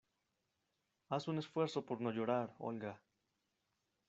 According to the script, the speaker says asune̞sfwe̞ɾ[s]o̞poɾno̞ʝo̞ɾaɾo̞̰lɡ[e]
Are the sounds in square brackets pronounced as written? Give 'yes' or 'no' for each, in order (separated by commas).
yes, no